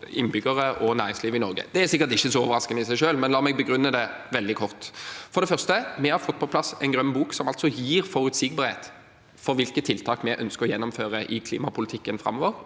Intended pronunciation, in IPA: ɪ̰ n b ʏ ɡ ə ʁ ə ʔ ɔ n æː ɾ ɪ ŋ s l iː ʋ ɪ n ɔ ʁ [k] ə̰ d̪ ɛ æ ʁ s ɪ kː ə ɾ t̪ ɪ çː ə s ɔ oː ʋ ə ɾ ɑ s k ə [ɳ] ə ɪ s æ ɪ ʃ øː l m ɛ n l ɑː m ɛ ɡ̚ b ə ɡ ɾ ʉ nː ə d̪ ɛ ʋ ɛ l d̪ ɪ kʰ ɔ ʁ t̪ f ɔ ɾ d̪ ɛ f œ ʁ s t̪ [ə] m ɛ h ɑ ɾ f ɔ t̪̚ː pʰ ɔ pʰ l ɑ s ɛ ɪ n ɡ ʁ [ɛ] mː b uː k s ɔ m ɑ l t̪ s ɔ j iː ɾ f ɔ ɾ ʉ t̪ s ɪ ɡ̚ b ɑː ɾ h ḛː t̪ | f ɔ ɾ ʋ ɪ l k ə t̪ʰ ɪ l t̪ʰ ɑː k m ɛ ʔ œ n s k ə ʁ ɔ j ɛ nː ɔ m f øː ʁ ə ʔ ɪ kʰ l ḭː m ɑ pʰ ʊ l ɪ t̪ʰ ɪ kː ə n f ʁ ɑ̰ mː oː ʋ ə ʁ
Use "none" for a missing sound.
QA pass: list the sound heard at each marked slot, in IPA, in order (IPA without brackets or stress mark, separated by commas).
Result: ɡ, n, ə, œ